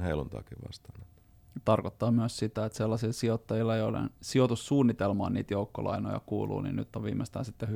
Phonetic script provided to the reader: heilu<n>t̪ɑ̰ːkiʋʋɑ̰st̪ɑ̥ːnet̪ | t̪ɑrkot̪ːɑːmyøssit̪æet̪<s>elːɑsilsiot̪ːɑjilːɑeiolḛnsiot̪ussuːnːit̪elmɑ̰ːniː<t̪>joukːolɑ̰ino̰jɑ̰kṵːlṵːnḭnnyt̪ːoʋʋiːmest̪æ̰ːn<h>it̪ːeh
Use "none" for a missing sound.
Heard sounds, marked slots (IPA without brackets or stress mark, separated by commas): n, s, t̪, s